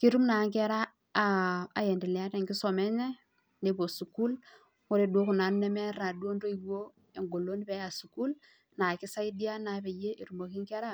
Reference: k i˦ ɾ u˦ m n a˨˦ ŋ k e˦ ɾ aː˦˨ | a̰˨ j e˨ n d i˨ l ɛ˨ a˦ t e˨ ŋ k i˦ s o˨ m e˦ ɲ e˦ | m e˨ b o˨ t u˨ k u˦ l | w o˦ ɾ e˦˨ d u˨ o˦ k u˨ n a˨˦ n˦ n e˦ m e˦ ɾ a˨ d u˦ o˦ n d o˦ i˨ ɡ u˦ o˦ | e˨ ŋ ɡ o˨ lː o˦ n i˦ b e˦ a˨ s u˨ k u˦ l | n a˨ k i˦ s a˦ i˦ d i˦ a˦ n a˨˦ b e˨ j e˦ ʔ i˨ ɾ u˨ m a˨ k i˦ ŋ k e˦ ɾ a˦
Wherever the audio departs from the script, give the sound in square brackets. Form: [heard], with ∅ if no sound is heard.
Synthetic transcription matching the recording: k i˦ ɾ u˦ m n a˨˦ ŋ k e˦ ɾ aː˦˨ | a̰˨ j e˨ n d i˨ l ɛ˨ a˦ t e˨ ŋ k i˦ s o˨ m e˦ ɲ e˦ | [n] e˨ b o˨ [s] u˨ k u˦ l | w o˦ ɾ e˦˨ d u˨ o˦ k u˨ n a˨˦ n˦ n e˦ m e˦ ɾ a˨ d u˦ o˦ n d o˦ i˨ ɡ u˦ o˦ | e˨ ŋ ɡ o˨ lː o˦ n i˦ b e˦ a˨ s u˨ k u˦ l | n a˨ k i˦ s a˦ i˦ d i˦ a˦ n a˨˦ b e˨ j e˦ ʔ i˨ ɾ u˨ m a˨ k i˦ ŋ k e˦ ɾ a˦